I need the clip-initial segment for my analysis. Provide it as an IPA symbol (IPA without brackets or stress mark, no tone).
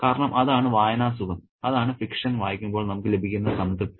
k